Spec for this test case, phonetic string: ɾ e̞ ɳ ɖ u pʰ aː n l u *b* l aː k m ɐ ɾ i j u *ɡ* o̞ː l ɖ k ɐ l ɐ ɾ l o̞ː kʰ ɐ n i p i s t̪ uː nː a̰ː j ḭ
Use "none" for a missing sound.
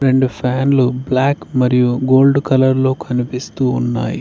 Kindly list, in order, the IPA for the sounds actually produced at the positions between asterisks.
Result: b, ɡ

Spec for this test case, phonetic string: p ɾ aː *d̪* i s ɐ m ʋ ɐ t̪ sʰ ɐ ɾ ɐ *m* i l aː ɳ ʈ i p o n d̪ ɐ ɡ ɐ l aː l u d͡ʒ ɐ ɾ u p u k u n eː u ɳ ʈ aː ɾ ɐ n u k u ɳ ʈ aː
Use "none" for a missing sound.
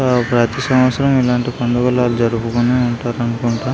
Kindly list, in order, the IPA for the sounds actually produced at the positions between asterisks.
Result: t̪, m

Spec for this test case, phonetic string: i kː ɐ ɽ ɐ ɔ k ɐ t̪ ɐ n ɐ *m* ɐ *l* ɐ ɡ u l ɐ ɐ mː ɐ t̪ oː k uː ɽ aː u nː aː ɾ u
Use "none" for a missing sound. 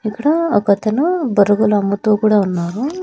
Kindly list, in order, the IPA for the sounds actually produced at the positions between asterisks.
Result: b, ɾ

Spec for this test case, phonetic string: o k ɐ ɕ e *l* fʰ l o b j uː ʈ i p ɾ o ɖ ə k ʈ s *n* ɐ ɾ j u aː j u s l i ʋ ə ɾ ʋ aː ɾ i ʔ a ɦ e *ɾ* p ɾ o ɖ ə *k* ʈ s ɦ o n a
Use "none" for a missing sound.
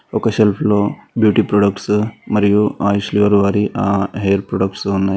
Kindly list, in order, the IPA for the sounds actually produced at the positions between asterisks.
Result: l, m, ɾ, k

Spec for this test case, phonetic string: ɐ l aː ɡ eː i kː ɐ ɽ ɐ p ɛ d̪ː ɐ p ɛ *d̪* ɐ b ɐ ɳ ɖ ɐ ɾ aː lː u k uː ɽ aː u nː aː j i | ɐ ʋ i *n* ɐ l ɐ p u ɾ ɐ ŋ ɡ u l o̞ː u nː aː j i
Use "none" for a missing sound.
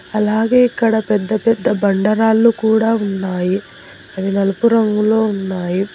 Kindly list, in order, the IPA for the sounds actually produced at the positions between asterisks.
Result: d̪ː, n

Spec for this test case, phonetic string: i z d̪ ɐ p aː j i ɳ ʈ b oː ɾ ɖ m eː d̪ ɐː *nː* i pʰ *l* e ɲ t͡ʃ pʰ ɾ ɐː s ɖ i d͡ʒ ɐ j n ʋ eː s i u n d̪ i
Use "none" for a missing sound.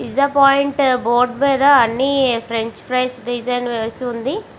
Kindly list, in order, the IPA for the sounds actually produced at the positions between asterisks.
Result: nː, ɾ

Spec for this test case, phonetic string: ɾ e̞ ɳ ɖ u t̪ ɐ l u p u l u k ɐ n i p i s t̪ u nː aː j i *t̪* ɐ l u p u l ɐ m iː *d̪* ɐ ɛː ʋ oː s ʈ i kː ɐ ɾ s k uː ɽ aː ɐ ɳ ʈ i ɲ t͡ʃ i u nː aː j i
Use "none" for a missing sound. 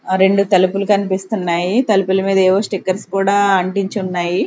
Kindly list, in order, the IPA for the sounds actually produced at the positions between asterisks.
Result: t̪, d̪

